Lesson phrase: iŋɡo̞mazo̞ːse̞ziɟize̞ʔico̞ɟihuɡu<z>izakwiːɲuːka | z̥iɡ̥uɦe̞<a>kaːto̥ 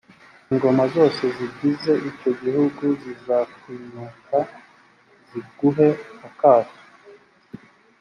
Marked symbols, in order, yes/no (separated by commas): yes, yes